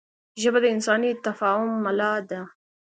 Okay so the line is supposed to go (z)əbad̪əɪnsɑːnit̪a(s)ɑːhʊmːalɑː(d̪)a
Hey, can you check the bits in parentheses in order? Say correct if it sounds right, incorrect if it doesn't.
incorrect, incorrect, correct

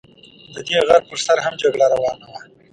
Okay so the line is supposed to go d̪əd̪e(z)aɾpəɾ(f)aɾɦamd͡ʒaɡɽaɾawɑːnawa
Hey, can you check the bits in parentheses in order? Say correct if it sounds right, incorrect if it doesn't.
incorrect, incorrect

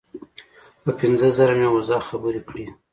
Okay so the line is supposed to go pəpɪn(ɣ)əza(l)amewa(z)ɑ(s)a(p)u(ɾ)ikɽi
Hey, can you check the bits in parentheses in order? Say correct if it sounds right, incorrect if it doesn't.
incorrect, incorrect, correct, incorrect, incorrect, correct

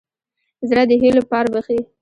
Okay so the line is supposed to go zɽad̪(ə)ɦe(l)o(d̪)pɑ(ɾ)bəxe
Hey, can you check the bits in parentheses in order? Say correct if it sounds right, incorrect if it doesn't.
correct, correct, incorrect, correct

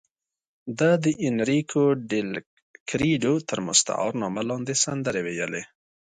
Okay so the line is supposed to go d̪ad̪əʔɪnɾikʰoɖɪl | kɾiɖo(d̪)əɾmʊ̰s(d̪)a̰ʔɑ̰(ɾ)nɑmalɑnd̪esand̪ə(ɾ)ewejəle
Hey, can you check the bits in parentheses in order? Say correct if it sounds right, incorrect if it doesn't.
incorrect, incorrect, correct, correct

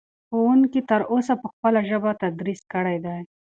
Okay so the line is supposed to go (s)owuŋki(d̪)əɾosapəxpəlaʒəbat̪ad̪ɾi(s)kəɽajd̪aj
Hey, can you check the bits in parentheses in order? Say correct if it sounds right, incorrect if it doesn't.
incorrect, incorrect, correct

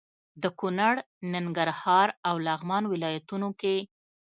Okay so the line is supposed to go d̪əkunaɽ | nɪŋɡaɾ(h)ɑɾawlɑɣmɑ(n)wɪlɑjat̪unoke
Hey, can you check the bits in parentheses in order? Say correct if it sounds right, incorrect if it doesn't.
correct, correct

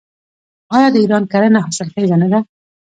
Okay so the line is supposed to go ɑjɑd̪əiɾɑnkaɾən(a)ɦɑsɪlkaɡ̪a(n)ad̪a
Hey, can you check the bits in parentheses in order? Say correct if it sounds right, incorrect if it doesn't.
correct, correct

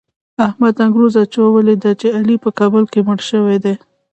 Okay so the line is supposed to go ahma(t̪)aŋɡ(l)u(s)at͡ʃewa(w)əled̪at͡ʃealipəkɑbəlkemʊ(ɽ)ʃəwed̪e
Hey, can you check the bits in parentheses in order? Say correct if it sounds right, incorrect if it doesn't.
incorrect, incorrect, incorrect, correct, correct

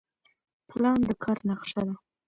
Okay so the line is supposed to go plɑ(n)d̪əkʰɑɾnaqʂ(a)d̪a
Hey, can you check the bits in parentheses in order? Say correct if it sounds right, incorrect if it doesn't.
correct, correct

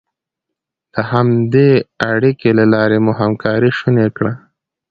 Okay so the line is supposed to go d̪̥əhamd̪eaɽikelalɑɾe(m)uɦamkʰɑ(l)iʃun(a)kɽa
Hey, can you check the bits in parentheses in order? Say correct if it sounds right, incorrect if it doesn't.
correct, incorrect, incorrect

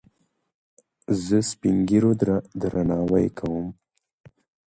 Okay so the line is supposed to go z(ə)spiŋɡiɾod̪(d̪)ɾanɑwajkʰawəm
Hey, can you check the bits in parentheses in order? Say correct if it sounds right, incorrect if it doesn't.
correct, correct

